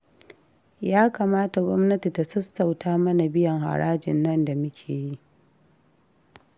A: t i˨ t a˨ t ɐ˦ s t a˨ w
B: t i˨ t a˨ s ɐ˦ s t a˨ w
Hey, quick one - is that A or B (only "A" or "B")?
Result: B